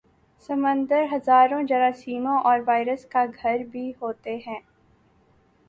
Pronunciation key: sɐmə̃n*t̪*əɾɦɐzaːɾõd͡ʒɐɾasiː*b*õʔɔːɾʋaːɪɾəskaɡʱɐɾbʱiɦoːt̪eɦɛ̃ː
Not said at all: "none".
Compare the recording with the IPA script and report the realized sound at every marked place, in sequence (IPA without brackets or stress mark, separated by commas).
d̪, m